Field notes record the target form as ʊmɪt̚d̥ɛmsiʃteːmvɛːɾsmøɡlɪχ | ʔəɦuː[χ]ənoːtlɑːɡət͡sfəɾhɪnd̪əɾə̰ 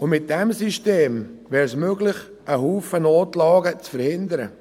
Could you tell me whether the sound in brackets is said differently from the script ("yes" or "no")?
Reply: yes